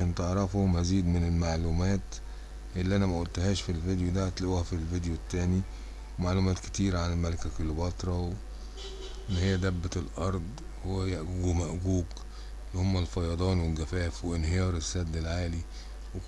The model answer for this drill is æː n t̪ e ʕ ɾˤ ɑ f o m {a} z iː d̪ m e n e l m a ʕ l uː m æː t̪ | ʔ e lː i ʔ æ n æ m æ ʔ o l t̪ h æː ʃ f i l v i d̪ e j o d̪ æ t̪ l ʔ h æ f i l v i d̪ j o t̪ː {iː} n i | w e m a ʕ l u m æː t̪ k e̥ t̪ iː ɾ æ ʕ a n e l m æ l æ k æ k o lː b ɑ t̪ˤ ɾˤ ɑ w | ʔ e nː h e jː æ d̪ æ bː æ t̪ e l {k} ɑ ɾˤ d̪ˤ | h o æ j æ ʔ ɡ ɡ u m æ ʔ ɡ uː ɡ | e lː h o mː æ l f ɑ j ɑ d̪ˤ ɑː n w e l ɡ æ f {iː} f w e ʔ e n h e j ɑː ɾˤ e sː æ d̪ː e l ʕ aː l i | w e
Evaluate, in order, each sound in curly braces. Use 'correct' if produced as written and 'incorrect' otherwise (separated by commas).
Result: incorrect, incorrect, incorrect, incorrect